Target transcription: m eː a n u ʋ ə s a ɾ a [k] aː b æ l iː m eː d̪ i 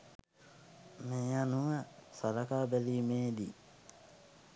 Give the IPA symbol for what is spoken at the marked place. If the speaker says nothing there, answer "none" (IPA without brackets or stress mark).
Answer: k